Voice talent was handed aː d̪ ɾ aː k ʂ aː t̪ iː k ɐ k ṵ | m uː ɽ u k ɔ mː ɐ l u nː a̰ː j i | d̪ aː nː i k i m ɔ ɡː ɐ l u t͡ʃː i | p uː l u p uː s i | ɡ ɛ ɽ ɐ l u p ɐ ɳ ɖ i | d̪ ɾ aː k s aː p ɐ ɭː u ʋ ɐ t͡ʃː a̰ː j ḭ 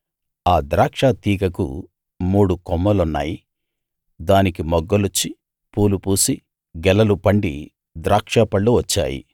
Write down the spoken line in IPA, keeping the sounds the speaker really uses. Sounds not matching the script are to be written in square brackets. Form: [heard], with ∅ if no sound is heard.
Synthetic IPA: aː d̪ ɾ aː k ʂ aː t̪ iː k ɐ k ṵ | m uː ɽ u k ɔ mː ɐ l u nː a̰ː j i | d̪ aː [n] i k i m ɔ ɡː ɐ l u t͡ʃː i | p uː l u p uː s i | ɡ ɛ [l] ɐ l u p ɐ ɳ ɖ i | d̪ ɾ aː k [ʂ] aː p ɐ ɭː u ʋ ɐ t͡ʃː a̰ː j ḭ